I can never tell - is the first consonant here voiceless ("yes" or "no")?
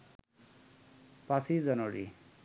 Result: yes